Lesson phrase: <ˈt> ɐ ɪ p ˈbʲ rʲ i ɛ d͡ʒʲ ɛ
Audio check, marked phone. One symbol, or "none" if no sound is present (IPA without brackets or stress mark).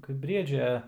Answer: k